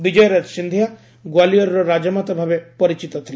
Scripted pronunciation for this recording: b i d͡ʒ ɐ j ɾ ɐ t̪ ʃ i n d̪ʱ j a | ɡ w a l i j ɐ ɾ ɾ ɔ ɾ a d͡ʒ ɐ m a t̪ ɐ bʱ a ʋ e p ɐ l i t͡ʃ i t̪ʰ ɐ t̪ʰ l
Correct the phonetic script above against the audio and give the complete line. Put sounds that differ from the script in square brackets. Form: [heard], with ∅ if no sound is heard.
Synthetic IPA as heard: b i d͡ʒ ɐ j ɾ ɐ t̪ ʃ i n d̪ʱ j a | ɡ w a l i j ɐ ɾ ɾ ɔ ɾ a d͡ʒ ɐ m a t̪ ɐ bʱ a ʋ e p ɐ [ɾ] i t͡ʃ i [t̪] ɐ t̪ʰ l

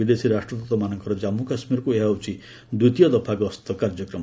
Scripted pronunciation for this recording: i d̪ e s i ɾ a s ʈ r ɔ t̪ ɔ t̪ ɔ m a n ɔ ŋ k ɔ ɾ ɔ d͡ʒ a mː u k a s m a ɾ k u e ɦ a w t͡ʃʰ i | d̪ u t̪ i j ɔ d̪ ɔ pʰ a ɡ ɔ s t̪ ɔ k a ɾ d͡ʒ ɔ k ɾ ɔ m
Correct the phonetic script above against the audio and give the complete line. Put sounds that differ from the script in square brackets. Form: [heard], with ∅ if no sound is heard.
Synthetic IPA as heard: i d̪ e s i ɾ a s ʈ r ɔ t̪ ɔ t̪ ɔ m a n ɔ ŋ k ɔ ɾ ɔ d͡ʒ a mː u k a s m [i] ɾ k u e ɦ a w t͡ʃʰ i | d̪ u t̪ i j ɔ d̪ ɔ pʰ a ɡ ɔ s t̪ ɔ k a ɾ d͡ʒ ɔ k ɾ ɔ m

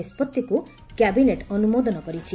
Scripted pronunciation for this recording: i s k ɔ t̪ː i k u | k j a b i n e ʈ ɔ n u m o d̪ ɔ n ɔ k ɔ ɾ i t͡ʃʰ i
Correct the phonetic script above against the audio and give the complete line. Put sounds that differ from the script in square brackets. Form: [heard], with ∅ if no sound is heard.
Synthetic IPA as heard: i s [p] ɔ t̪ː i k u | k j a b i n e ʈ ɔ n u m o d̪ ɔ n ɔ k ɔ ɾ i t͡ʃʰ i

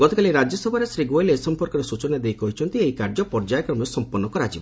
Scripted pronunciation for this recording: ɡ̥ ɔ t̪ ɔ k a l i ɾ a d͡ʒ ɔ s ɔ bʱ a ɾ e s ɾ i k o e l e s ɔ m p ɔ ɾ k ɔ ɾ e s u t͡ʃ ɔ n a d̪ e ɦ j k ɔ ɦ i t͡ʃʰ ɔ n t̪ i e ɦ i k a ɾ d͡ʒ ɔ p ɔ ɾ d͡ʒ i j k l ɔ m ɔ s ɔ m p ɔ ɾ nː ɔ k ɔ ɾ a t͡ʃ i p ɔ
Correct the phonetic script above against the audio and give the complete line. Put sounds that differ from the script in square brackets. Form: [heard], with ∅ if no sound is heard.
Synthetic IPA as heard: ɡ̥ ɔ t̪ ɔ k a l i ɾ a d͡ʒ ɔ s ɔ bʱ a ɾ e s ɾ i [ɡ] o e l e s ɔ m p ɔ ɾ k ɔ ɾ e s u t͡ʃ ɔ n a d̪ e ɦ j k ɔ ɦ i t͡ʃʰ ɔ n t̪ i e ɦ i k a ɾ d͡ʒ ɔ p ɔ ɾ d͡ʒ [a] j k [ɾ] ɔ m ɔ s ɔ m p ɔ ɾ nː ɔ k ɔ ɾ a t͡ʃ i [b] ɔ

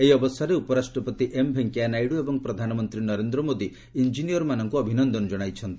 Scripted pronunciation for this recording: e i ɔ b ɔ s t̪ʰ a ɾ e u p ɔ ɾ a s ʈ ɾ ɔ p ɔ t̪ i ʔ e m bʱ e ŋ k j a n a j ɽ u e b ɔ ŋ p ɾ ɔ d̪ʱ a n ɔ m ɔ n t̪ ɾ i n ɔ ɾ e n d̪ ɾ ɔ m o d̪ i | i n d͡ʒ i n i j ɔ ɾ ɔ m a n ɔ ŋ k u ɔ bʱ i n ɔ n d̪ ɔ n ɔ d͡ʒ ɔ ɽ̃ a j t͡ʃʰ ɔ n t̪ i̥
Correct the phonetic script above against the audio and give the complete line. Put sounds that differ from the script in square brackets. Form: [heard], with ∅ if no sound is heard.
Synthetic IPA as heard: e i ɔ b ɔ s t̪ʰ a ɾ e u p ɔ ɾ a s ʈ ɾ ɔ p ɔ t̪ i ʔ e m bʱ e ŋ k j a n a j ɽ u e b ɔ ŋ p ɾ ɔ d̪ʱ a n ɔ m ɔ n t̪ ɾ i n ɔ ɾ e n d̪ ɾ ɔ m o d̪ i | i n d͡ʒ i n i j ɔ ɾ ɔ m a n ɔ ŋ k u ɔ bʱ i n ɔ n d̪ ɔ n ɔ d͡ʒ ɔ ɽ̃ a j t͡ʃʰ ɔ n t̪ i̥

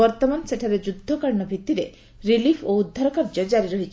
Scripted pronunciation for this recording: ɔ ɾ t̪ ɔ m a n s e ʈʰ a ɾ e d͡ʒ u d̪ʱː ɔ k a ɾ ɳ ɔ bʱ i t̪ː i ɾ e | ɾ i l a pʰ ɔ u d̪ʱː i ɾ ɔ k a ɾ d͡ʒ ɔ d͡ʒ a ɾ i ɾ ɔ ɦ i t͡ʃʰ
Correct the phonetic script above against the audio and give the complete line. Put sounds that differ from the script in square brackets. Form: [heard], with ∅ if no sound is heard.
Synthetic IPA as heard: ɔ ɾ t̪ ɔ m a n s e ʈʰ a ɾ e d͡ʒ u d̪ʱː ɔ k a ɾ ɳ ɔ bʱ i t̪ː i ɾ e | ɾ i l [i] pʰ [o] u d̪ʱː [a] ɾ ɔ k a ɾ d͡ʒ ɔ d͡ʒ a ɾ i ɾ ɔ ɦ i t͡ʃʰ

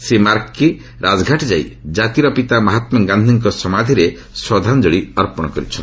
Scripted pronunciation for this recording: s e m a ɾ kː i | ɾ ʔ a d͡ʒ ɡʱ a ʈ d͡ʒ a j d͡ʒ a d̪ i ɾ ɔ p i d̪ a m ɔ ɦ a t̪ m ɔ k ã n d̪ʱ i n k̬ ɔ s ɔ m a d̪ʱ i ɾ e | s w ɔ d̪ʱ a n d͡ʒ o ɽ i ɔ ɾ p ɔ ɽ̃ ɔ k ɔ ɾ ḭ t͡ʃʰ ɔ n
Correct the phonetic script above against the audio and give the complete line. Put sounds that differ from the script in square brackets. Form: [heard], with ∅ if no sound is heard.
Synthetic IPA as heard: s e m a ɾ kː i | ɾ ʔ a d͡ʒ ɡʱ a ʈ d͡ʒ a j d͡ʒ a [t̪] i ɾ ɔ p i [t̪] a m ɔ ɦ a t̪ m ɔ [ɡ] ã n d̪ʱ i [ŋ] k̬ ɔ s ɔ m a d̪ʱ i ɾ e | s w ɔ d̪ʱ a n d͡ʒ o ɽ i ɔ ɾ p ɔ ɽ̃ ɔ k ɔ ɾ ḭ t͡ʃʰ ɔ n

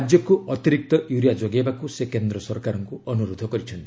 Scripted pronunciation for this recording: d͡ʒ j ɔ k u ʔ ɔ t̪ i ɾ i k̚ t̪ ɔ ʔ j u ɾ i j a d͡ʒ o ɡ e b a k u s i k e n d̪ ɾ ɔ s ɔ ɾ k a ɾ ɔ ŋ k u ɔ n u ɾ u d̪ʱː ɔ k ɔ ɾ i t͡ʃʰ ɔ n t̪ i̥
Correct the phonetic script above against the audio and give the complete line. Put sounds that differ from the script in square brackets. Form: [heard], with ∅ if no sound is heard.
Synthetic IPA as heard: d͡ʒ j ɔ k u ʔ ɔ t̪ i ɾ i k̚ t̪ ɔ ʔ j u ɾ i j a d͡ʒ o ɡ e b a k u s [e] k e n d̪ ɾ ɔ s ɔ ɾ k a ɾ ɔ ŋ k u ɔ n u ɾ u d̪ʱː ɔ k ɔ ɾ i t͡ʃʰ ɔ n t̪ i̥

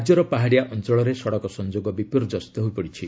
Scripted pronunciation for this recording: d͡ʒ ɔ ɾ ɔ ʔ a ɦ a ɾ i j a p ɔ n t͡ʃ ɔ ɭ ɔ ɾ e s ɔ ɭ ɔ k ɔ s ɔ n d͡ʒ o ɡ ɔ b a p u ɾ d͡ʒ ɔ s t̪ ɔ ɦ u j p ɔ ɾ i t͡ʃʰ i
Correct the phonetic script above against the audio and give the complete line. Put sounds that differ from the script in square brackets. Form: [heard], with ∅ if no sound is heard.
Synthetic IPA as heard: d͡ʒ ɔ ɾ ɔ [p] a ɦ a [ɽ] i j a [ʔ] ɔ n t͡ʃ ɔ ɭ ɔ ɾ e s ɔ [ɽ] ɔ k ɔ s ɔ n d͡ʒ o ɡ ɔ b [i] p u ɾ d͡ʒ ɔ s t̪ ɔ ɦ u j p ɔ [ɽ] i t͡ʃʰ i

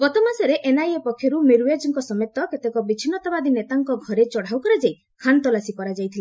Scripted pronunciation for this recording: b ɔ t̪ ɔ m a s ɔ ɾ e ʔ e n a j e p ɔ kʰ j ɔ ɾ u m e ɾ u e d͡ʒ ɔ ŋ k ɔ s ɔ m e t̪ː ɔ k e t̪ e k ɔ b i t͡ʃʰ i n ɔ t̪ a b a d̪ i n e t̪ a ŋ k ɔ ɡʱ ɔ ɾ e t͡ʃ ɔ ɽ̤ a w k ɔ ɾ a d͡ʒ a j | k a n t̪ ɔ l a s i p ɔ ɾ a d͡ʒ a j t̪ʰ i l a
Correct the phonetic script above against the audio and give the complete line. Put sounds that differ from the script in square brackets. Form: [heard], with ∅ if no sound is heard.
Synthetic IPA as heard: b ɔ t̪ ɔ m a s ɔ ɾ e ʔ e n a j e p ɔ kʰ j ɔ ɾ u m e ɾ u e d͡ʒ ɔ ŋ k ɔ s ɔ m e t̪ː ɔ k e t̪ e k ɔ b i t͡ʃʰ i n ɔ t̪ a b a d̪ i n e t̪ a ŋ k ɔ ɡʱ ɔ ɾ e t͡ʃ ɔ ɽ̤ a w k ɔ ɾ a d͡ʒ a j | [kʰ] a n t̪ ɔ l a s i p ɔ ɾ a d͡ʒ a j t̪ʰ i l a

